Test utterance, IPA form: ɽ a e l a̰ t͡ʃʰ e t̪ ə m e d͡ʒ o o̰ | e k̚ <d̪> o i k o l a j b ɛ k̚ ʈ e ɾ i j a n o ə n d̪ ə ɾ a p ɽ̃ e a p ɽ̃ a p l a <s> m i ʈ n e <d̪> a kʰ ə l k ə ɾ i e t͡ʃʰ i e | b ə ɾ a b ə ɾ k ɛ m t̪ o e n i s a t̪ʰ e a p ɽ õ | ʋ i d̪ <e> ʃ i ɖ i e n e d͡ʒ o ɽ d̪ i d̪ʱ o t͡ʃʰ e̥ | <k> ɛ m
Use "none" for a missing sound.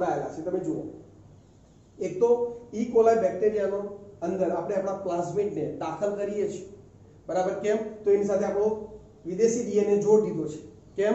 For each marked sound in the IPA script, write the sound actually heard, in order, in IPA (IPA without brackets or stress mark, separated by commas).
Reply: t̪, s, d̪, e, k